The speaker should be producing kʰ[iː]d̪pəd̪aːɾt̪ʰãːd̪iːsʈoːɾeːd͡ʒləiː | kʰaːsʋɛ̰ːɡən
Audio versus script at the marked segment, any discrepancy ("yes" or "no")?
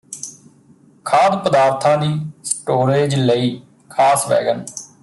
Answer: yes